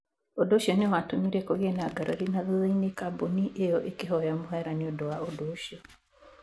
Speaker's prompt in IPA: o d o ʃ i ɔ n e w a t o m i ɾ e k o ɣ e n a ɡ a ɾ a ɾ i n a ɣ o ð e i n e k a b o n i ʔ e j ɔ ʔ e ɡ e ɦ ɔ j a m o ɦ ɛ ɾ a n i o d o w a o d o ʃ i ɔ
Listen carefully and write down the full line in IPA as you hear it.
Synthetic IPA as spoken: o d o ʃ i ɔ n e w a t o m i ɾ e k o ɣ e n a ɡ a ɾ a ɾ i n a ð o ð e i n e k a b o n i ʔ e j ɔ ʔ e k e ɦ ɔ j a m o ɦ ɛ ɾ a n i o d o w a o d o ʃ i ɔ